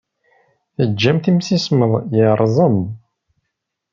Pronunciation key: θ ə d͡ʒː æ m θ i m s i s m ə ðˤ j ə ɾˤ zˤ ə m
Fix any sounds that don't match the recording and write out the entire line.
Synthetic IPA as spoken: θ ə d͡ʒː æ m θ i m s i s m ə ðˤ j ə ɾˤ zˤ ə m